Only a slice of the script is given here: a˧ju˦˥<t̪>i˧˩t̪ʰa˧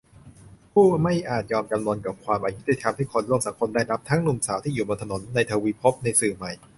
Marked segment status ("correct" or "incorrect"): correct